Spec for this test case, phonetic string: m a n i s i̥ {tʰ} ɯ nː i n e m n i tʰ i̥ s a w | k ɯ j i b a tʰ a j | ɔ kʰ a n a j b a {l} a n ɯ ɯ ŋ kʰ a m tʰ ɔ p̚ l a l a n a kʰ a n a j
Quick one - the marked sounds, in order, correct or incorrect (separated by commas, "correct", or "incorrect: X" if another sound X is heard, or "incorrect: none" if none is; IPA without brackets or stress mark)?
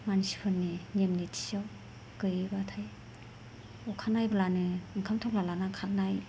incorrect: pʰ, correct